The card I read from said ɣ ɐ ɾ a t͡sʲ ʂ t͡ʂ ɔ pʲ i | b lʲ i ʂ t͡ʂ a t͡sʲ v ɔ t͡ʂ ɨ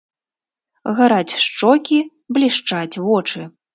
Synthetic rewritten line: ɣ a ɾ a t͡sʲ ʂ t͡ʂ ɔ kʲ i | b lʲ i ʂ t͡ʂ a t͡sʲ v ɔ t͡ʂ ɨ